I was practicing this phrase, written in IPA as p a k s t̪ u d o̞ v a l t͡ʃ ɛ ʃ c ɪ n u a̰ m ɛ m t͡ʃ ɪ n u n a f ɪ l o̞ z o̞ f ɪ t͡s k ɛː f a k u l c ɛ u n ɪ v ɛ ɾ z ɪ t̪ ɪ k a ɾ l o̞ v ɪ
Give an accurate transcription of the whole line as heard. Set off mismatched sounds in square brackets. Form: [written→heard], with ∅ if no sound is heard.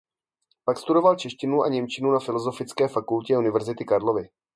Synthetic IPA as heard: p a k s t̪ u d o̞ v a l t͡ʃ ɛ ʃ c ɪ n u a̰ [m→ɲ] ɛ m t͡ʃ ɪ n u n a f ɪ l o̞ z o̞ f ɪ t͡s k ɛː f a k u l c ɛ u n ɪ v ɛ ɾ z ɪ t̪ ɪ k a ɾ l o̞ v ɪ